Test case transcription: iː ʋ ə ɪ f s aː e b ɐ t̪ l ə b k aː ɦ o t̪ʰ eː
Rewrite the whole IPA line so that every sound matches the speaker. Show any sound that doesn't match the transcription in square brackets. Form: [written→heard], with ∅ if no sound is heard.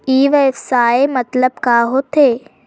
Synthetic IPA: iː ʋ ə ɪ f s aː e [b→m] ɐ t̪ l ə b k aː ɦ o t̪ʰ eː